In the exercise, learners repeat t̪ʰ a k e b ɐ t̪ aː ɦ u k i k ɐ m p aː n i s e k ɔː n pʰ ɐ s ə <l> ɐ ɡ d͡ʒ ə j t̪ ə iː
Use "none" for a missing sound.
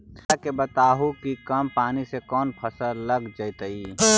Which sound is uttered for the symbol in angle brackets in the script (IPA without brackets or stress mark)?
l